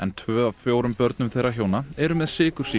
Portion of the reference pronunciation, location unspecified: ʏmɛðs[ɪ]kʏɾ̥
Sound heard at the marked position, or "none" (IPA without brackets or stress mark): ɪː